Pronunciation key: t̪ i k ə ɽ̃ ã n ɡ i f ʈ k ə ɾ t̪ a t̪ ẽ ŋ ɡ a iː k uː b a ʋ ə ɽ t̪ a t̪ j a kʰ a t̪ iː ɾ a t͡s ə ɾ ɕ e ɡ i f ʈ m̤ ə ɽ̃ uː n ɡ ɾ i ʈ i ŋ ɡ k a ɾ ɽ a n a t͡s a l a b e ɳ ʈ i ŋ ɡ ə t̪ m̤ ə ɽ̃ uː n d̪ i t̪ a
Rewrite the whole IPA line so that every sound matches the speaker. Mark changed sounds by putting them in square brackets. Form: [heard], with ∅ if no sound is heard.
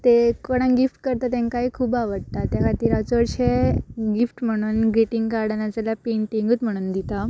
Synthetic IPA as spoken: t̪ [e] k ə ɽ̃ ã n ɡ i f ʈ k ə ɾ t̪ a t̪ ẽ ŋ [k] a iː [kʰ] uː b a ʋ ə ɽ t̪ a t̪ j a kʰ a t̪ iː ɾ a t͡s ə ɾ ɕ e ɡ i f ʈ m̤ ə ɽ̃ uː n ɡ ɾ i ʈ i ŋ ɡ k a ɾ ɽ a n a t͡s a l a [p] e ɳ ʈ i ŋ ɡ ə t̪ m̤ ə ɽ̃ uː n d̪ i t̪ a